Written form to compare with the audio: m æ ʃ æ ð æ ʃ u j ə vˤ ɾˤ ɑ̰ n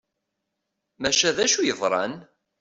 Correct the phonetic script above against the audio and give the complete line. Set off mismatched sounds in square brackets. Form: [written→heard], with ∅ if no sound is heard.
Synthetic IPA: m æ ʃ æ ð æ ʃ u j ə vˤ ɾˤ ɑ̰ n